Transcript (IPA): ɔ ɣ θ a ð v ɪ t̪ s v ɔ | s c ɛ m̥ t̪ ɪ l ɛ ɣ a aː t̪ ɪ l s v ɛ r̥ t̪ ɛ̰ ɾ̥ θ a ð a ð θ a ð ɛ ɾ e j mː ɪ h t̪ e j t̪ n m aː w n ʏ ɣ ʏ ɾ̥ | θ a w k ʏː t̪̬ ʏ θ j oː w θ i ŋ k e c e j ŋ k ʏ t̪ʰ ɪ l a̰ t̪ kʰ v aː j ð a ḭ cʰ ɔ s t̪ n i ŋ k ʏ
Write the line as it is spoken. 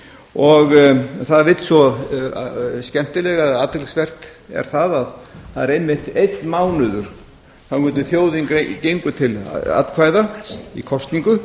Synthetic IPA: ɔ ɣ θ a ð v ɪ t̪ s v ɔ | s c ɛ m̥ t̪ ɪ l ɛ ɣ a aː t̪ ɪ l s v ɛ r̥ t̪ ɛ̰ ɾ̥ θ a ð a ð θ a ð ɛ ɾ e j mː ɪ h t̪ e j t̪ n m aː w n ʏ ð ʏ ɾ̥ | θ a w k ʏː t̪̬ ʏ θ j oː w ð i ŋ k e c e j ŋ k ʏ t̪ʰ ɪ l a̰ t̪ kʰ v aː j ð a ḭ kʰ ɔ s t̪ n i ŋ k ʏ